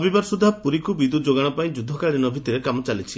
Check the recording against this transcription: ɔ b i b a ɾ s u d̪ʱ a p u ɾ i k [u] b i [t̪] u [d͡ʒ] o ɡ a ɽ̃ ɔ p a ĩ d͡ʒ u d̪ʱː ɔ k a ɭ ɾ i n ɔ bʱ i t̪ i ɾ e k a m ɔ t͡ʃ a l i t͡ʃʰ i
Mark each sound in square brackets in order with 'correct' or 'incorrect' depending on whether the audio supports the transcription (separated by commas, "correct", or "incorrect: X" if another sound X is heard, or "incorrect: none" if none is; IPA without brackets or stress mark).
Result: correct, incorrect: d̪, correct